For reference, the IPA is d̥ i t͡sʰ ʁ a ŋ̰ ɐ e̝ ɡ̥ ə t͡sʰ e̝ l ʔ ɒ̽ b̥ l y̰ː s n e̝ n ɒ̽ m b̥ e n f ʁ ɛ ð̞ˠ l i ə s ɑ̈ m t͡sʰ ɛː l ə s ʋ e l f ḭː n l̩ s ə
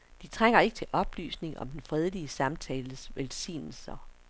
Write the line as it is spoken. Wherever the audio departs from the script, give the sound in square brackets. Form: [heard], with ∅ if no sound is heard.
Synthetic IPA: d̥ i t͡sʰ ʁ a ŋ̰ ɐ e̝ ɡ̥ ə t͡sʰ e̝ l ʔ ɒ̽ b̥ l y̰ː s n e̝ [ŋ] ɒ̽ m [d̥] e n f ʁ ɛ ð̞ˠ l i ə s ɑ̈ m t͡sʰ ɛː l ə s ʋ e l [s] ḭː n l̩ s [ɐ]